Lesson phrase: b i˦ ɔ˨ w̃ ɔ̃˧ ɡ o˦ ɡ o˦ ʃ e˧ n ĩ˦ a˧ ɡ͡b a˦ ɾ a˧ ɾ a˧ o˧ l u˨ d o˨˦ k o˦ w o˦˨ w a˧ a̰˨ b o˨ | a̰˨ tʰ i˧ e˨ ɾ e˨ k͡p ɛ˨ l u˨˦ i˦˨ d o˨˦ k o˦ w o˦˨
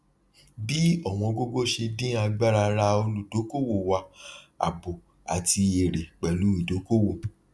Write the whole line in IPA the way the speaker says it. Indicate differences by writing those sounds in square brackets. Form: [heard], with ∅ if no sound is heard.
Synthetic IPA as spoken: b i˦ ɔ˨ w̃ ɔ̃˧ ɡ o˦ ɡ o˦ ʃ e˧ [d] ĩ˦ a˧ ɡ͡b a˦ ɾ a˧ ɾ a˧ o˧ l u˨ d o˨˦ k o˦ w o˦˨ w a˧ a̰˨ b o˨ | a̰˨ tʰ i˧ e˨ ɾ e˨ k͡p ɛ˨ l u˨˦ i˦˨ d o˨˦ k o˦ w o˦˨

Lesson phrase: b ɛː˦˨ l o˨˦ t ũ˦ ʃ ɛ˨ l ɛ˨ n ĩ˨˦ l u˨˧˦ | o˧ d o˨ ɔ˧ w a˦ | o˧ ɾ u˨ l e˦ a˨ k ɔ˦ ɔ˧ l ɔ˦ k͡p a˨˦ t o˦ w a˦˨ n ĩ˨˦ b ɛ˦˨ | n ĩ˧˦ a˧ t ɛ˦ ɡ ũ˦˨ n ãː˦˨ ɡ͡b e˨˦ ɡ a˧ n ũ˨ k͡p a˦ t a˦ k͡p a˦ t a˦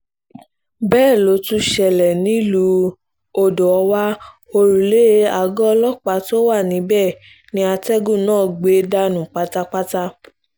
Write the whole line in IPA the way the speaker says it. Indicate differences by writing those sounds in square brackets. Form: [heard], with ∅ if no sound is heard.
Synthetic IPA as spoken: b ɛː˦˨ l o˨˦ t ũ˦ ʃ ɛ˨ l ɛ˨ n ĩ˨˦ l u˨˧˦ | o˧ d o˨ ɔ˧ w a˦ | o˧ ɾ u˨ l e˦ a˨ [ɡ] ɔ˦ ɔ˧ l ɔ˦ k͡p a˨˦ t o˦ w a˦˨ n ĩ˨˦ b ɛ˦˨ | n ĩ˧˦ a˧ t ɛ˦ ɡ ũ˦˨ n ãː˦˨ ɡ͡b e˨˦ [d] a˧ n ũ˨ k͡p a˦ t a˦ k͡p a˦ t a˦

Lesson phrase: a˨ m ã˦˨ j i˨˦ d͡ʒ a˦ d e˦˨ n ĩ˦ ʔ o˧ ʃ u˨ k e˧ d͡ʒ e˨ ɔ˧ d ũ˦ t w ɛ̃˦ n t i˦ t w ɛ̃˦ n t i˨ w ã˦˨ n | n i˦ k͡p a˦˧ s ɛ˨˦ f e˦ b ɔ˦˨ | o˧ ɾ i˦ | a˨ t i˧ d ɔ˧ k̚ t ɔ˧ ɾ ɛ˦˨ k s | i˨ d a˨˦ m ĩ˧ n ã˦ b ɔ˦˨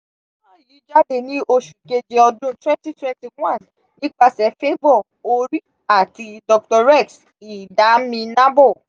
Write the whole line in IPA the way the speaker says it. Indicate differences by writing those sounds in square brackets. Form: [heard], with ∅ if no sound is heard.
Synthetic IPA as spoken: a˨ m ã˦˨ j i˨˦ d͡ʒ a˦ d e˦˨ n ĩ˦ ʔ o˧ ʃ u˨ k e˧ d͡ʒ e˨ ɔ˧ d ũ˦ t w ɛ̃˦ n t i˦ t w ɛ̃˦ n t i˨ w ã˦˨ n | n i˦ k͡p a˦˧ s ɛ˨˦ f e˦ b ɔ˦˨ | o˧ ɾ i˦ | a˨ t i˧ d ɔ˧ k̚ t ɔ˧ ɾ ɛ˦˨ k s | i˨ d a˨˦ m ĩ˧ n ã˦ b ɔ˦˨

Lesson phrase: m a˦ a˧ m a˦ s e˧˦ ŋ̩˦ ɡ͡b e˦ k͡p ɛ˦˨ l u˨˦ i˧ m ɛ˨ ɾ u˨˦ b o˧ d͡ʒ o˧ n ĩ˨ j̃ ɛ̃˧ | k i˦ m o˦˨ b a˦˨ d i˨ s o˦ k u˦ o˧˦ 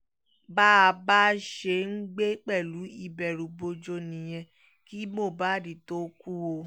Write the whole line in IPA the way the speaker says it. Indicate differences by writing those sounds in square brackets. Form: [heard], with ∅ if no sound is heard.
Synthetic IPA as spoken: [b] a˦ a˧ [b] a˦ [ʃ] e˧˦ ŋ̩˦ ɡ͡b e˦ k͡p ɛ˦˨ l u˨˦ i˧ [b] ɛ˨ ɾ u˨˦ b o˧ d͡ʒ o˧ n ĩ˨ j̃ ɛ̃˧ | k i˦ m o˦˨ b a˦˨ d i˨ [t] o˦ k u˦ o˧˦

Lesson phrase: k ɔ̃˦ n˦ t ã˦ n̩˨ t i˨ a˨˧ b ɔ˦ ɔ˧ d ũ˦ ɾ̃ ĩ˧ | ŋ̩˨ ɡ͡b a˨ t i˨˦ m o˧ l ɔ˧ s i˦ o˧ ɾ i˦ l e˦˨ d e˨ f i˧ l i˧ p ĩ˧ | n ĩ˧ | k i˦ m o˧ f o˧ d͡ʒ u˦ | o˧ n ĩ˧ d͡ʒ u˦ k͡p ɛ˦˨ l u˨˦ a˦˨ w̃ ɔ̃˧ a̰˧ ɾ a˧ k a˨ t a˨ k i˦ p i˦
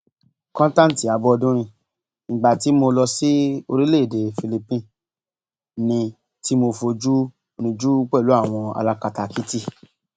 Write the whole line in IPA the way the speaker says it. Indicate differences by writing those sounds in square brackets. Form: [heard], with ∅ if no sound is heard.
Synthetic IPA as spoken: k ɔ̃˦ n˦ t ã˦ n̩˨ t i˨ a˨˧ b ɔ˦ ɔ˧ d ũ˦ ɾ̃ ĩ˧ | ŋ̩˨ ɡ͡b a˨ t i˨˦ m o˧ l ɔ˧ s i˦ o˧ ɾ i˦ l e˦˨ d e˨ f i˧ l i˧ p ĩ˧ | n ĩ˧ | [t] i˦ m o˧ f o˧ d͡ʒ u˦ | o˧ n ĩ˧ d͡ʒ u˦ k͡p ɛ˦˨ l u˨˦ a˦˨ w̃ ɔ̃˧ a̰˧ [l] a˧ k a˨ t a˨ k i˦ [t] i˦

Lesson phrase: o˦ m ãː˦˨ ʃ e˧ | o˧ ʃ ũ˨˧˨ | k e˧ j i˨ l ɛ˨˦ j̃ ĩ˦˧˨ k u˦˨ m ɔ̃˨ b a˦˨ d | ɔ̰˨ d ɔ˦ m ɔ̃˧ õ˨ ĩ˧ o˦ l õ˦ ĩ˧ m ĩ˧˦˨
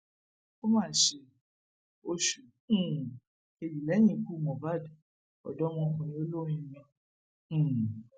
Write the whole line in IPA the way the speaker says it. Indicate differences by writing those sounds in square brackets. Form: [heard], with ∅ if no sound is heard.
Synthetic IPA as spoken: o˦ m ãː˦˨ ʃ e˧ | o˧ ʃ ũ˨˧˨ | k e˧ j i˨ l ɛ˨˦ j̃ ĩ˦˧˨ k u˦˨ m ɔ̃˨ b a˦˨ d | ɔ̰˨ d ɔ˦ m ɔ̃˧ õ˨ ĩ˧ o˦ l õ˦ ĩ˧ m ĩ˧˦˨

